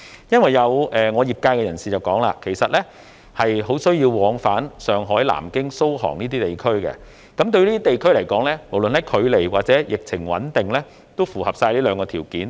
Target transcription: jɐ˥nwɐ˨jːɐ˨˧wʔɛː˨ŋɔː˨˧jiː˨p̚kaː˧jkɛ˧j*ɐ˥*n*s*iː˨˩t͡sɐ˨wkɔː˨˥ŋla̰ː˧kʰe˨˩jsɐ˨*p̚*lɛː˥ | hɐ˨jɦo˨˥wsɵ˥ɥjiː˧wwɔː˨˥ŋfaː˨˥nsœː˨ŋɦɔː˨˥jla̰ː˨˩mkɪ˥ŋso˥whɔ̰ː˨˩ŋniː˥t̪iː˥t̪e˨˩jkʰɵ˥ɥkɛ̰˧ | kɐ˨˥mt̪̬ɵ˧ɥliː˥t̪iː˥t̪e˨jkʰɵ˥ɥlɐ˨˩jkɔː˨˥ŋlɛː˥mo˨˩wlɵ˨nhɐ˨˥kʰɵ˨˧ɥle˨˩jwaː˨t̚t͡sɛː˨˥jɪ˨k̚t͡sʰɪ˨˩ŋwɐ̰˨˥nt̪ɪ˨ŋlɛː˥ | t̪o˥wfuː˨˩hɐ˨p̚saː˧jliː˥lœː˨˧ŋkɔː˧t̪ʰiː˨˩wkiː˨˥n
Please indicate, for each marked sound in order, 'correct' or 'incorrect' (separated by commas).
incorrect, correct, incorrect